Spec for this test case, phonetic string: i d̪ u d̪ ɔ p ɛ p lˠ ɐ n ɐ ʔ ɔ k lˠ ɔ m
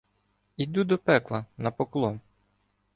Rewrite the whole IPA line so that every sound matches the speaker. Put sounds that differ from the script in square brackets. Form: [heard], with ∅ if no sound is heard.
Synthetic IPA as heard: i d̪ u d̪ ɔ p ɛ [k] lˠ ɐ n ɐ [p] ɔ k lˠ ɔ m

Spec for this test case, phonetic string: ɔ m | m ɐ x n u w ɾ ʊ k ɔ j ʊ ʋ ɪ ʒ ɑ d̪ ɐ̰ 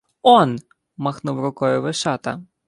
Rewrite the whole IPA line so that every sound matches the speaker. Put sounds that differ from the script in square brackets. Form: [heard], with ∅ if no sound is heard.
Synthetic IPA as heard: ɔ [n] | m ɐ x n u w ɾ ʊ k ɔ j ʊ ʋ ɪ [ʃ] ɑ [t̪] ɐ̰

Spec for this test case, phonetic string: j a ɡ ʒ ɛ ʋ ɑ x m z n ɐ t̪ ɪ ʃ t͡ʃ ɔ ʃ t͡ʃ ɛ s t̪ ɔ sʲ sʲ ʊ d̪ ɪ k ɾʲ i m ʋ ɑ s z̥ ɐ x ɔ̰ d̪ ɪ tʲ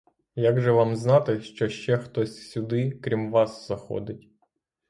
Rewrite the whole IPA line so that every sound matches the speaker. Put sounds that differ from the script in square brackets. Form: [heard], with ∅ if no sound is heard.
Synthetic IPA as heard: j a ɡ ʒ ɛ ʋ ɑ [∅] m z n [ɑ] t̪ ɪ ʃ t͡ʃ ɔ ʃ t͡ʃ ɛ [x] t̪ ɔ sʲ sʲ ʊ d̪ ɪ k ɾʲ i m ʋ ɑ s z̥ ɐ x ɔ̰ d̪ ɪ tʲ

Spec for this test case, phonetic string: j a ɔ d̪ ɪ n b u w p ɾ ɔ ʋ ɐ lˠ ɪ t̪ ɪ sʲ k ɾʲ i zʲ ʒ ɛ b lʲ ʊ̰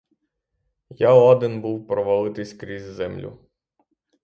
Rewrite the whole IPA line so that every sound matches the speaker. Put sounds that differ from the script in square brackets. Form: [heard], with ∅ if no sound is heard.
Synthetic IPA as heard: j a ɔ d̪ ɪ n b u w p ɾ ɔ ʋ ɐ lˠ ɪ t̪ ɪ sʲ k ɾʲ i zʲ [z] ɛ [m] lʲ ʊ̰

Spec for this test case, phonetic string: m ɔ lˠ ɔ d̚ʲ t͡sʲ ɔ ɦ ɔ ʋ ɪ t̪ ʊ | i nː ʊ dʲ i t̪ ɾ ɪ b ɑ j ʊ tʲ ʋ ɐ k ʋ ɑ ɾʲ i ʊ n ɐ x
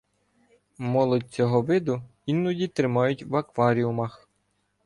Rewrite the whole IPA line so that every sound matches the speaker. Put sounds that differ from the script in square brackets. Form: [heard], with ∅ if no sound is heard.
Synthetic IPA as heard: m ɔ lˠ ɔ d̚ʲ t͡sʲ ɔ ɦ ɔ ʋ ɪ [d̪] ʊ | i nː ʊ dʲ i t̪ ɾ ɪ [m] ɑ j ʊ tʲ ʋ ɐ k ʋ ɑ ɾʲ i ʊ [m] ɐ x

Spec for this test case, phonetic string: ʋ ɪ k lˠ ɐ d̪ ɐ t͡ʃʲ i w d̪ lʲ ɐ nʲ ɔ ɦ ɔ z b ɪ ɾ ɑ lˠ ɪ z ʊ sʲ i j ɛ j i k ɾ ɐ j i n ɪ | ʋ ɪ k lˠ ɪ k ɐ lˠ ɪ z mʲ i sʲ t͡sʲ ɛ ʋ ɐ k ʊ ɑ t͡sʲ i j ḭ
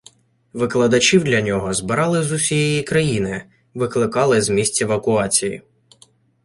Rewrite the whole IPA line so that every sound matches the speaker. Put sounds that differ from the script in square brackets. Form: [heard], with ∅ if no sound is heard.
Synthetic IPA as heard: ʋ ɪ k lˠ ɐ d̪ ɐ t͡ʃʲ i w d̪ lʲ ɐ nʲ ɔ ɦ ɔ z b ɪ ɾ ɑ lˠ ɪ z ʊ sʲ i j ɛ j i k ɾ ɐ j i n ɪ | ʋ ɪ k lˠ ɪ k [ɑ] lˠ ɪ z mʲ i sʲ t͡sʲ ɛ ʋ ɐ k ʊ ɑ t͡sʲ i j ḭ

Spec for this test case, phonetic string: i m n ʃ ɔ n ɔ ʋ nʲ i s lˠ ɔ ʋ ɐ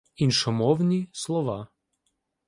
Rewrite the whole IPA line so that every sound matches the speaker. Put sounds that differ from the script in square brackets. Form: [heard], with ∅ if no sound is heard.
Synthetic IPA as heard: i [∅] n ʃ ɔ [m] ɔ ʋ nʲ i s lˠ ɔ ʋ [a]

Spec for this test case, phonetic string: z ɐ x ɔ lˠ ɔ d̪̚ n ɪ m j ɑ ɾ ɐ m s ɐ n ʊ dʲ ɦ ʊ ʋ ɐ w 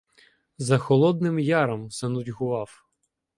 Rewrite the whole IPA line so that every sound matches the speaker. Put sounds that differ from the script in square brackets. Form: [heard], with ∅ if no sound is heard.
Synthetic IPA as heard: z ɐ x ɔ lˠ ɔ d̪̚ n ɪ m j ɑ ɾ ɐ m s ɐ n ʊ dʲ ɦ ʊ ʋ [ɑ] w

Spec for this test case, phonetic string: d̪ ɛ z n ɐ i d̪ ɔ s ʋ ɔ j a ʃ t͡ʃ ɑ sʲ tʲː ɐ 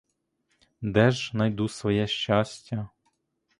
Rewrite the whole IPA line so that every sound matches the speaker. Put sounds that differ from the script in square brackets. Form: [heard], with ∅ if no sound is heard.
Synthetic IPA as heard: d̪ ɛ [ʒ] n ɐ [j] d̪ [u] s ʋ ɔ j [ɛ] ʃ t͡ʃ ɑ sʲ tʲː ɐ

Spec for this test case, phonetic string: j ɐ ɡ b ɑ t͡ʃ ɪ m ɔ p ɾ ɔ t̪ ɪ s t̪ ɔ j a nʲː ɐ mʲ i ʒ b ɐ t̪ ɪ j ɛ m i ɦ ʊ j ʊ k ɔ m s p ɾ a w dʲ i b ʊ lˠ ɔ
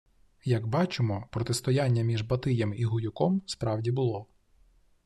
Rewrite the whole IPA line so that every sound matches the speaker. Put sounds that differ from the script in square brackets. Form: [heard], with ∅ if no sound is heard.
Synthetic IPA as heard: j ɐ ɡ b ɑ t͡ʃ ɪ m ɔ p ɾ ɔ t̪ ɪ s t̪ ɔ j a nʲː ɐ mʲ i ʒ b ɐ t̪ ɪ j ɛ m i ɦ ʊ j ʊ k ɔ m s p ɾ [ɑ] w dʲ i b ʊ lˠ ɔ

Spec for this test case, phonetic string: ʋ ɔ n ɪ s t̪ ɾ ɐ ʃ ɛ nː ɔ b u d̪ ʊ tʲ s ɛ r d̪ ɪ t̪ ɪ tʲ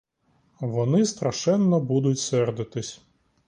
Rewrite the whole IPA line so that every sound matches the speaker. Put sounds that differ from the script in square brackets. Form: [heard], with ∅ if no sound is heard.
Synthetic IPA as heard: ʋ ɔ n ɪ s t̪ ɾ ɐ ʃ ɛ nː ɔ b u d̪ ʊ tʲ s ɛ r d̪ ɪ t̪ ɪ [sʲ]

